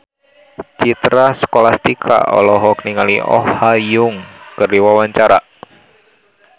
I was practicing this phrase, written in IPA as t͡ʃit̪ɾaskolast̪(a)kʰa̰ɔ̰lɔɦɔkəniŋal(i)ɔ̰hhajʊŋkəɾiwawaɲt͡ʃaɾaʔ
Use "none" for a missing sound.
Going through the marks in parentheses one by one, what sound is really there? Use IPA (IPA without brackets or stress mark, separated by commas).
i, i